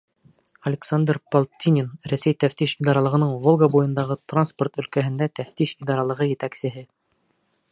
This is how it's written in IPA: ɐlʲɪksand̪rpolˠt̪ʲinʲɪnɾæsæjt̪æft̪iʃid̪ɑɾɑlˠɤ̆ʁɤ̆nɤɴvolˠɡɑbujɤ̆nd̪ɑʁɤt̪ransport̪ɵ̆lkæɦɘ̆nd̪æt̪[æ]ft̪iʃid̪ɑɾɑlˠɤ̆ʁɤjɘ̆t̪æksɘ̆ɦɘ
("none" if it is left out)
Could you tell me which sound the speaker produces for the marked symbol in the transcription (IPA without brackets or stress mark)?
æ